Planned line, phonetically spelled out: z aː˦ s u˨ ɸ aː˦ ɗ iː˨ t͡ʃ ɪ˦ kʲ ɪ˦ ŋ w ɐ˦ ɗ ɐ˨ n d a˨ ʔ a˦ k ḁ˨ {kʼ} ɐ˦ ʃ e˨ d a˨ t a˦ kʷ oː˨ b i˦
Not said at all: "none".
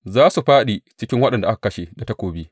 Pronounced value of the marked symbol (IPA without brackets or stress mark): k